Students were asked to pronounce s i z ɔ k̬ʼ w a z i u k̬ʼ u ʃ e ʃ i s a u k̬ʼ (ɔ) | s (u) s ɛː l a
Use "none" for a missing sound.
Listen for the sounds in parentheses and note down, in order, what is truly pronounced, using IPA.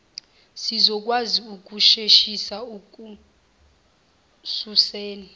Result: u, u

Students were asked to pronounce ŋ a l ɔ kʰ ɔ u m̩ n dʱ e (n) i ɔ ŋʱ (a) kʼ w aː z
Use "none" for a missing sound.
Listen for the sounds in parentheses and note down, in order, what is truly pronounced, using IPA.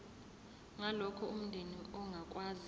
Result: n, a

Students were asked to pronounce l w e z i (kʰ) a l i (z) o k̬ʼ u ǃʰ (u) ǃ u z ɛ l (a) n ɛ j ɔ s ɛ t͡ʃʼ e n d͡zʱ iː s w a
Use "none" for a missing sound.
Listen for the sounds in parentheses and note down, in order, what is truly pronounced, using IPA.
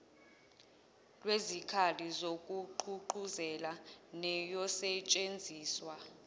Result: kʰ, z, u, a

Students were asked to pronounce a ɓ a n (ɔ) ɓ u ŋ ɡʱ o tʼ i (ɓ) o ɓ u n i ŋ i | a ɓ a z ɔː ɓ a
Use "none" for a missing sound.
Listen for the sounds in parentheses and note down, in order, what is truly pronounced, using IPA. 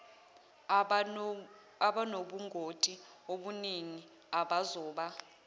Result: o, none

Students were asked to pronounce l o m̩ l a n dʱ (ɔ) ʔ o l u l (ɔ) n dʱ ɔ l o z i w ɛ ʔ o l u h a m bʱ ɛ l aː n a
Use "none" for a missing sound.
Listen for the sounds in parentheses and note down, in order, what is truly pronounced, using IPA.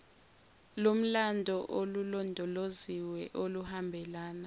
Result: ɔ, ɔ

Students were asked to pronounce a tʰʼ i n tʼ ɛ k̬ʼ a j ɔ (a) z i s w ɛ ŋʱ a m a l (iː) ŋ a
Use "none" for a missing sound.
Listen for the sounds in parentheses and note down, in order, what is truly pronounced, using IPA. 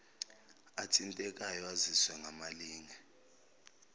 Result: a, iː

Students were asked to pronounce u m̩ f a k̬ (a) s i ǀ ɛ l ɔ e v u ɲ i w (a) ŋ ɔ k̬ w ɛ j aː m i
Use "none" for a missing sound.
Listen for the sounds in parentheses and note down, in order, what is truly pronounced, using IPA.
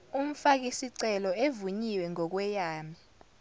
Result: i, ɛ

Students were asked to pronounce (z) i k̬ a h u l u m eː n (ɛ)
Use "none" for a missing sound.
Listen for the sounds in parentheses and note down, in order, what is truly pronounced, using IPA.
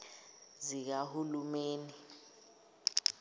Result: z, i

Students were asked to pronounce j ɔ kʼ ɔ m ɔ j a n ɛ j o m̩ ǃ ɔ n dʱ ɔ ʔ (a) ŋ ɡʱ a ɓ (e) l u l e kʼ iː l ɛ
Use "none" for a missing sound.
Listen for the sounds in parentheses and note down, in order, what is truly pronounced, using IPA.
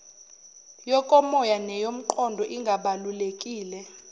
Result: i, a

